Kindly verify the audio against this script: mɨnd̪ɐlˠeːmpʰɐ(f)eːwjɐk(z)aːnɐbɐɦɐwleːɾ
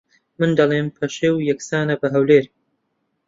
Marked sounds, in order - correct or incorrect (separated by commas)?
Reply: incorrect, incorrect